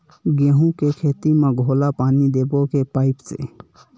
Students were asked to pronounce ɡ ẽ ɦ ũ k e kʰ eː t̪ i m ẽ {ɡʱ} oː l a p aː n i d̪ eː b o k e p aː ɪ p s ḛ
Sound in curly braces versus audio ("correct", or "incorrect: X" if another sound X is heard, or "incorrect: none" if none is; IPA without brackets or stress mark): correct